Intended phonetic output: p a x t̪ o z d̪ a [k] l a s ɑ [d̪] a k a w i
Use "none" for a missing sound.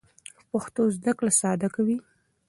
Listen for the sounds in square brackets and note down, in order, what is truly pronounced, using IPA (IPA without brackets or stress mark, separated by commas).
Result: k, d̪